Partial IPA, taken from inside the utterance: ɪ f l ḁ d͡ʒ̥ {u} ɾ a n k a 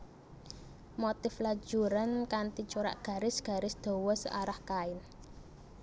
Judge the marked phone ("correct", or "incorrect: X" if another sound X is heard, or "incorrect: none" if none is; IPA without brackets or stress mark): correct